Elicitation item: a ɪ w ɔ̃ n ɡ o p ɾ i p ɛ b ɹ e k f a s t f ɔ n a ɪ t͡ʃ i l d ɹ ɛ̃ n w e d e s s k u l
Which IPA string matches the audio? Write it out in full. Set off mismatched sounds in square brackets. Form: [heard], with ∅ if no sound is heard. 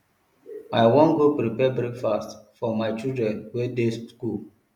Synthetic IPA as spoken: a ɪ w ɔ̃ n ɡ o p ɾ i p ɛ b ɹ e k f a s t f ɔ [m] a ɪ t͡ʃ i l d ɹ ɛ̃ n w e d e s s k u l